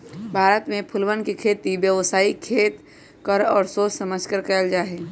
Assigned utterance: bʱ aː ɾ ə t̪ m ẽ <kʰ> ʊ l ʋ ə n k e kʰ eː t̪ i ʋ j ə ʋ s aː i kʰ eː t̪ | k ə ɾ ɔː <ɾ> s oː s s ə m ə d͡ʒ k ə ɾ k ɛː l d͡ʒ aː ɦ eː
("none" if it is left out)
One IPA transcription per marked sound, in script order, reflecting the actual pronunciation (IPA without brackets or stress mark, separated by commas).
pʰ, ɾ